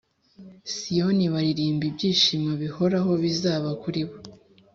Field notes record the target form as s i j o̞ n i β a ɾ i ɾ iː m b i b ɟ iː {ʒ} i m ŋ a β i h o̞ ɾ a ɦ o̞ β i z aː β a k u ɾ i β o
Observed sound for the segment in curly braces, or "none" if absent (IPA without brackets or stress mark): ʃ